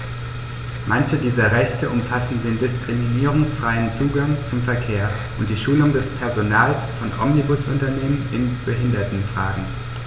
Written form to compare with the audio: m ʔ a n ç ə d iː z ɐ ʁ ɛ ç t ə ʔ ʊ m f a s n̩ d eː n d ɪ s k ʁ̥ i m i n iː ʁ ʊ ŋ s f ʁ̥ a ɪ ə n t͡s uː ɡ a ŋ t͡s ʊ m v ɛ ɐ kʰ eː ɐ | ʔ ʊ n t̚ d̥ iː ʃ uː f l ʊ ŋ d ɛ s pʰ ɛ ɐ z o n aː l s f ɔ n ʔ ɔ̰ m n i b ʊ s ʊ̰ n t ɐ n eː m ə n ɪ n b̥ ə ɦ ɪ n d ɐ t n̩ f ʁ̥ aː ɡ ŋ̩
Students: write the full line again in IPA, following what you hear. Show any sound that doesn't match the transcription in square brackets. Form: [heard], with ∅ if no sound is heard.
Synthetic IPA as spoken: m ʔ a n ç ə d iː z ɐ ʁ ɛ ç t ə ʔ ʊ m f a s n̩ d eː n d ɪ s k ʁ̥ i m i n iː ʁ ʊ ŋ s f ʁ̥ a ɪ ə n t͡s uː ɡ a ŋ t͡s ʊ m [f] ɛ ɐ kʰ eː ɐ | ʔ ʊ n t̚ d̥ iː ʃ uː [∅] l ʊ ŋ d ɛ s pʰ ɛ ɐ z o n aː l s f ɔ n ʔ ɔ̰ m n i b ʊ s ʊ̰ n t ɐ n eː m ə n ɪ n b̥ ə ɦ ɪ n d ɐ t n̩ f ʁ̥ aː ɡ ŋ̩